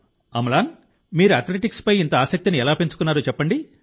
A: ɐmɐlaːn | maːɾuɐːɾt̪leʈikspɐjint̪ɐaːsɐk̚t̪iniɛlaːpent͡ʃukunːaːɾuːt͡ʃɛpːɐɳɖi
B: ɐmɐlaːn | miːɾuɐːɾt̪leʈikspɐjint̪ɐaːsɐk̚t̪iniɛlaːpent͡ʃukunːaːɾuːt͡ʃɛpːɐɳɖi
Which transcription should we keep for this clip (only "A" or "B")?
B